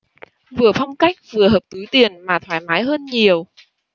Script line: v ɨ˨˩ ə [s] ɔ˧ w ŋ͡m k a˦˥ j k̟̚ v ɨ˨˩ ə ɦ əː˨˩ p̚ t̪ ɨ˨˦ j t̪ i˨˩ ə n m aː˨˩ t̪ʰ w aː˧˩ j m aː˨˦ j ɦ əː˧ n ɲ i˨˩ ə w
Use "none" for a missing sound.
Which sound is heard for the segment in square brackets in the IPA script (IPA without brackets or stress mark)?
f